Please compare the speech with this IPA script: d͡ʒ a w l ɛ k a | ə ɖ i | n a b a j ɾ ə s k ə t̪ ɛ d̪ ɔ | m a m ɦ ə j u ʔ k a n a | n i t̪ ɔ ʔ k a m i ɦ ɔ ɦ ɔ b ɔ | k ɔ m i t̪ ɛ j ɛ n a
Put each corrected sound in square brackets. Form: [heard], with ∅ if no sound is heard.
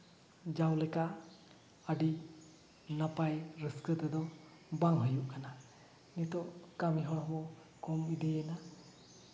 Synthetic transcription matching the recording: d͡ʒ a w l ɛ k a | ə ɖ i | n a [p] a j ɾ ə s k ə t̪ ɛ d̪ ɔ | [b] a [ŋ] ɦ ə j u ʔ k a n a | n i t̪ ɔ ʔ k a m i ɦ ɔ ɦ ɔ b ɔ | k ɔ m i [d̪] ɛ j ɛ n a